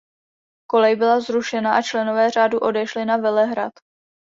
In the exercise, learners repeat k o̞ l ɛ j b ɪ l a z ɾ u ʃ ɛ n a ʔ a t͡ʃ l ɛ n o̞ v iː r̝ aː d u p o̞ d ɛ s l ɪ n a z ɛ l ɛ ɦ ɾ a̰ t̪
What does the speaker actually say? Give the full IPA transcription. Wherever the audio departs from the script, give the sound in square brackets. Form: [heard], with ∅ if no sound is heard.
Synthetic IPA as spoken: k o̞ l ɛ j b ɪ l a z ɾ u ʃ ɛ n a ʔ a t͡ʃ l ɛ n o̞ v [ɛː] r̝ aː d u [ʔ] o̞ d ɛ [ʃ] l ɪ n a [v] ɛ l ɛ ɦ ɾ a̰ t̪